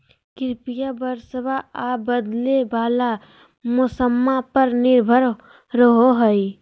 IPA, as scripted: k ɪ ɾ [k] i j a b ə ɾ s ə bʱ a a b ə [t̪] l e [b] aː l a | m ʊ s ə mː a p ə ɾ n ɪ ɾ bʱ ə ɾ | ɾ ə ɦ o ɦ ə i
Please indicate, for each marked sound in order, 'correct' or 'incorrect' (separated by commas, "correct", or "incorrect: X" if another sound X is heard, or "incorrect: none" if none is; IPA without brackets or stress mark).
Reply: incorrect: p, incorrect: d̪, correct